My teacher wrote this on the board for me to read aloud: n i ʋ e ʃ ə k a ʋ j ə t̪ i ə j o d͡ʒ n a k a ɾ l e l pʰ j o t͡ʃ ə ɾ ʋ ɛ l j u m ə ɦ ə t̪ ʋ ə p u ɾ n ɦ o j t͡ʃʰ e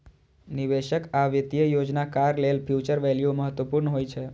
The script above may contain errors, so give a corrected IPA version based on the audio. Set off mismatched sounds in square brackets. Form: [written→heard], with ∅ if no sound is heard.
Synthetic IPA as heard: n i ʋ e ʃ ə k a ʋ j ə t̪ [i→j] ə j o d͡ʒ n a k a ɾ l e l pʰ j [o→u] t͡ʃ ə ɾ ʋ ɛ l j u m ə ɦ ə t̪ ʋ ə p u ɾ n ɦ o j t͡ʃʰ e